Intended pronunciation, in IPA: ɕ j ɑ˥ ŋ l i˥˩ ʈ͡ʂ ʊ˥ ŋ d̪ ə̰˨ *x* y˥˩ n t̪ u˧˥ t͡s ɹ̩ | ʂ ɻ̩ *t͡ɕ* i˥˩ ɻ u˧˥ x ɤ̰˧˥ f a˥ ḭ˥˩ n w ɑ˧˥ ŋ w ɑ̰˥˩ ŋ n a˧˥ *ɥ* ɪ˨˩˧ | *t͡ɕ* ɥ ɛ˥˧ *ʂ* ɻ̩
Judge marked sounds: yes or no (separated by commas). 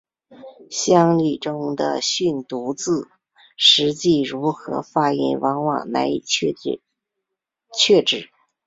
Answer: no, yes, no, no, no